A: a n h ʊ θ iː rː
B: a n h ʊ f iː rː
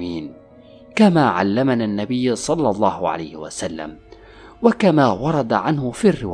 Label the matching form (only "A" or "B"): B